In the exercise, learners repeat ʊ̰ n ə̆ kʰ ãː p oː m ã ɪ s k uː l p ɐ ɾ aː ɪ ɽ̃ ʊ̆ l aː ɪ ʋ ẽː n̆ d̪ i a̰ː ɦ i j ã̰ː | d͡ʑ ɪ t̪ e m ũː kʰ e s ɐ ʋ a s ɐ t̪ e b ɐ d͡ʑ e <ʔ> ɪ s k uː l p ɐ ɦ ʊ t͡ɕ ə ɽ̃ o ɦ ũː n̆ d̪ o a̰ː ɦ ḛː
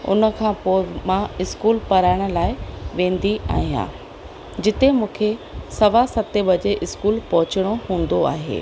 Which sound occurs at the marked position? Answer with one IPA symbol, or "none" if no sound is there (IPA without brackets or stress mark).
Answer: ʔ